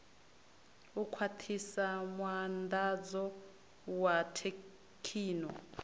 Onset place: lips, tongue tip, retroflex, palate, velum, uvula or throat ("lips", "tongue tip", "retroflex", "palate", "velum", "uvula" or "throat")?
velum